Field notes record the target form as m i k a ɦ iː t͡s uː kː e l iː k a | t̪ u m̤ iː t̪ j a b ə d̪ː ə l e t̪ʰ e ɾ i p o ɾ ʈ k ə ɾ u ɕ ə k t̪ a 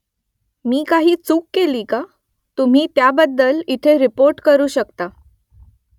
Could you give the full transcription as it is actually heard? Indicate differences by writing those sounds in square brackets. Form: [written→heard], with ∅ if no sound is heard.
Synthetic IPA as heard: m [i→iː] k a ɦ iː t͡s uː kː e l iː k a | t̪ u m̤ iː t̪ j a b ə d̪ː ə l [e→i] t̪ʰ e ɾ i p o ɾ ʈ k ə ɾ [u→uː] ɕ ə k t̪ a